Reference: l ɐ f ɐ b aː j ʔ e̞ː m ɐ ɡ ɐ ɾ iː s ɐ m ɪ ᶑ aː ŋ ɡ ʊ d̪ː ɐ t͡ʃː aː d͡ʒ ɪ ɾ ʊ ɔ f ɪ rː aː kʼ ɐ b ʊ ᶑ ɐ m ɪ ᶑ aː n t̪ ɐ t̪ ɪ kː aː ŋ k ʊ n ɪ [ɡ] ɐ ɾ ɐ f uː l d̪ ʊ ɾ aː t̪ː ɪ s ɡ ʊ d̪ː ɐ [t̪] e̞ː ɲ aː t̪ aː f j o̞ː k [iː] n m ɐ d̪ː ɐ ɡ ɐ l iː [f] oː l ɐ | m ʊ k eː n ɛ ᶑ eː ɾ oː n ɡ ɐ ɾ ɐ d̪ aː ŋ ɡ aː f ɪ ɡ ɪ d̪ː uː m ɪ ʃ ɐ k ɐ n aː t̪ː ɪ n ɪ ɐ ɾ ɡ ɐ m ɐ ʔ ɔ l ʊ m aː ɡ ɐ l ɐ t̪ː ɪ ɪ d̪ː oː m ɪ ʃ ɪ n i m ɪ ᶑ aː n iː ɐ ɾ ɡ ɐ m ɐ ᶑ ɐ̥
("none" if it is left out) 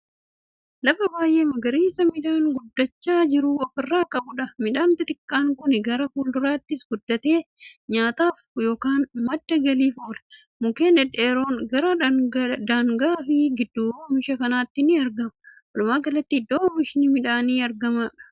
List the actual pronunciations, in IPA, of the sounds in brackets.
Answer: ɡ, t̪, aː, f

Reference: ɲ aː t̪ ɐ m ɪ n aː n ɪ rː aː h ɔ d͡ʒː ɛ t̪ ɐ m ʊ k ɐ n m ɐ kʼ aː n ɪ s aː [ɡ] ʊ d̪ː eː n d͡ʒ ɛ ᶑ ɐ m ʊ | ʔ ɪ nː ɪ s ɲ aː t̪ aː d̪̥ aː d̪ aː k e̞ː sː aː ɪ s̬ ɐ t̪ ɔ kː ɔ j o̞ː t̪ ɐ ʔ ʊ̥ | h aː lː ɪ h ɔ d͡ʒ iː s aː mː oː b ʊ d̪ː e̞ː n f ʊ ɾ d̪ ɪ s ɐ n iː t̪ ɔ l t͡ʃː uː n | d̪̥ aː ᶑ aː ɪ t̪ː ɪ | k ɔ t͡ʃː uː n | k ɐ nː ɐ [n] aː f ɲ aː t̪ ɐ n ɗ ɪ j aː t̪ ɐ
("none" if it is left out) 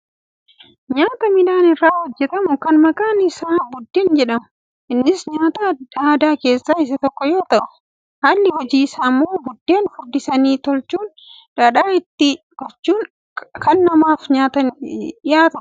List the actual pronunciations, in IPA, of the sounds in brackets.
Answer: b, m

